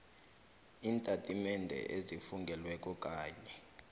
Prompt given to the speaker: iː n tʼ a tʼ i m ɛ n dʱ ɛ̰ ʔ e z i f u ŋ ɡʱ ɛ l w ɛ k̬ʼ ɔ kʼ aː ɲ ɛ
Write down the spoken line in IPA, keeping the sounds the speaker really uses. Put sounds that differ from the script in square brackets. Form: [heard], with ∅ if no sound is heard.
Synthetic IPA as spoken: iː n tʼ a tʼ i m ɛ n dʱ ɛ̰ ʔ e z i f u ŋ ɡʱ ɛ l w ɛ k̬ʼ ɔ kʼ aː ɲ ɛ

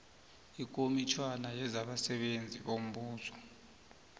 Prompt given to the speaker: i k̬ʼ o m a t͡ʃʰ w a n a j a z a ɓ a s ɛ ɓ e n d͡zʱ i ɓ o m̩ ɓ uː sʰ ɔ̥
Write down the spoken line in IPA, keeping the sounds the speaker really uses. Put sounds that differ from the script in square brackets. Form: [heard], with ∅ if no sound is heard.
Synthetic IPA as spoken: i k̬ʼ o m [i] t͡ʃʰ w a n a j [ɛ] z a ɓ a s ɛ ɓ e n d͡zʱ i ɓ o m̩ ɓ uː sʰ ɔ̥

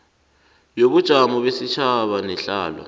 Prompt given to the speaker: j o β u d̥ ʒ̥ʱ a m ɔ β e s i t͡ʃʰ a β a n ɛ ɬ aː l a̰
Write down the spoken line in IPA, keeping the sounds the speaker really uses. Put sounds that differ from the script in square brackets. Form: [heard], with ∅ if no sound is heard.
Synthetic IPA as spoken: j o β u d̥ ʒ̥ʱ a m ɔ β e s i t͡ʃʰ a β a n ɛ ɬ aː l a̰

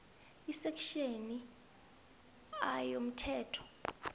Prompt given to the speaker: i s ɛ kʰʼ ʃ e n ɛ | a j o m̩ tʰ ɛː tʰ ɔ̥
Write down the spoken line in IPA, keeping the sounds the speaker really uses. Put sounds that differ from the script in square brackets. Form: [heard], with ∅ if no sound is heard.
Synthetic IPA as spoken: i s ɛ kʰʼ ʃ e n [i] | a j o m̩ tʰ ɛː tʰ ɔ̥

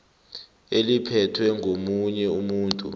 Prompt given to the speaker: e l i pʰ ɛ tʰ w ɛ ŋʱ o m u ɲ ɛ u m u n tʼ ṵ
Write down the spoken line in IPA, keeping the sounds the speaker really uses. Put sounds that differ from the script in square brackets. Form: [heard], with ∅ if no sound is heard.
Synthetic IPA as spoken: e l i pʰ ɛ tʰ w ɛ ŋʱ o m u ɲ ɛ u m [uː] n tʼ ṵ

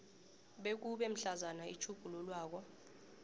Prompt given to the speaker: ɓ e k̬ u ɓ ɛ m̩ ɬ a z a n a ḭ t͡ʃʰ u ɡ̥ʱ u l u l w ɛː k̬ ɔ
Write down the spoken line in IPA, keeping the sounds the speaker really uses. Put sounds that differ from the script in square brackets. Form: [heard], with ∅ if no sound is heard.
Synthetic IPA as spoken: ɓ e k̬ u ɓ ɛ m̩ ɬ a z a n a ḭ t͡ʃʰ u ɡ̥ʱ u l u l w [aː] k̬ ɔ

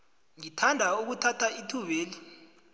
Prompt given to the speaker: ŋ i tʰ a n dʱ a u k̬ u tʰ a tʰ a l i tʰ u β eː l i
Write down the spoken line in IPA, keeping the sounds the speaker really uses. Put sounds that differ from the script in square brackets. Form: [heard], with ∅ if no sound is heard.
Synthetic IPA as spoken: ŋ i tʰ a n dʱ a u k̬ u tʰ a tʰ a [∅] i tʰ u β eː l i

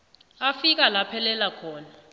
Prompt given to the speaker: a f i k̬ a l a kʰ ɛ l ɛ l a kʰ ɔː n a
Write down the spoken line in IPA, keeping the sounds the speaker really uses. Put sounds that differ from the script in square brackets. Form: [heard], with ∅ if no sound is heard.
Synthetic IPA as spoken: a f i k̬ a l a [pʰ] ɛ l ɛ l a kʰ ɔː n a

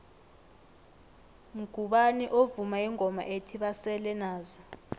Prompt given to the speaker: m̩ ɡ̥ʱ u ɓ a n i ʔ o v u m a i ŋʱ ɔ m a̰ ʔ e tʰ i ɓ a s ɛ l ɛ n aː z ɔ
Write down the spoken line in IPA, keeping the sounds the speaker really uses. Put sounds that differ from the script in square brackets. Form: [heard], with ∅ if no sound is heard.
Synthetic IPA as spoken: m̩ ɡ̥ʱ u ɓ a n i ʔ o v u m a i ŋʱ ɔ m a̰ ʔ e tʰ i ɓ a s ɛ l ɛ n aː z ɔ

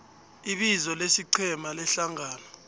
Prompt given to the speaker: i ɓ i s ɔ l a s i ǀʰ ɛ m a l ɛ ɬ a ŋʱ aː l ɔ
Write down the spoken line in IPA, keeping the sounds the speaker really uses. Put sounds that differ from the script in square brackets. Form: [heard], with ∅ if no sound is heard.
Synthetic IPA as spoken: i ɓ i [z] ɔ l [e] s i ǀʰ ɛ m a l ɛ ɬ a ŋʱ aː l ɔ

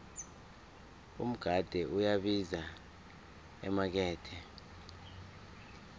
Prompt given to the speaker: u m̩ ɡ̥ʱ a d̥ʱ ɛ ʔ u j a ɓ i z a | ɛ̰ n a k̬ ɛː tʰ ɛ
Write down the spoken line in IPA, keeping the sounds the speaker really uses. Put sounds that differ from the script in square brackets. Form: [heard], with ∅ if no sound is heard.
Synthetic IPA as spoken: u m̩ ɡ̥ʱ a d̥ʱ ɛ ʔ u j a ɓ i z a | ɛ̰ [m] a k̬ ɛː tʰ ɛ

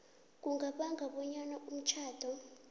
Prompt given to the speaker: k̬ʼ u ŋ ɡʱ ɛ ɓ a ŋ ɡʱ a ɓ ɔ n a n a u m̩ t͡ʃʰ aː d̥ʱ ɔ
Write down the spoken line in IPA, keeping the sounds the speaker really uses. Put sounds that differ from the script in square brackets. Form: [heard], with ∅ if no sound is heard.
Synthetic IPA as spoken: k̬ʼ u ŋ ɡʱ [a] ɓ a ŋ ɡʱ a ɓ ɔ [ɲ] a n a u m̩ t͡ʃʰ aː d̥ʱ ɔ

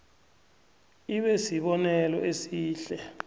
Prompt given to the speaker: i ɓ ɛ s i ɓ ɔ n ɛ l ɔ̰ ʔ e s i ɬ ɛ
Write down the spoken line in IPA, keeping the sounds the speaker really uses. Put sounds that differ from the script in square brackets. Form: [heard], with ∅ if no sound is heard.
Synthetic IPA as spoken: i ɓ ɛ s i ɓ ɔ n ɛ l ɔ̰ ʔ e s [iː] ɬ ɛ

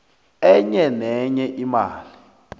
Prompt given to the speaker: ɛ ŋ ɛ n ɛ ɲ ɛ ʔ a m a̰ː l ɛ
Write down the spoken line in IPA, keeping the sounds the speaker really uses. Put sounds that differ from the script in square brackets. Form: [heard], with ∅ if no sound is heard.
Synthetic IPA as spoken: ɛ [ɲ] ɛ n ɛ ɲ ɛ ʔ [i] m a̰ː l [i]

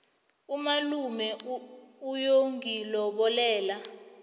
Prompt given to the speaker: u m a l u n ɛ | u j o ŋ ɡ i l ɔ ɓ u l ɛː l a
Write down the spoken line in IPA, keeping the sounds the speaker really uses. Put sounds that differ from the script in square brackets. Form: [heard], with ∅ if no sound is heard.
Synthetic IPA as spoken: u m a l u [m] ɛ | u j o ŋ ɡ i l ɔ ɓ [ɔ] l ɛː l a

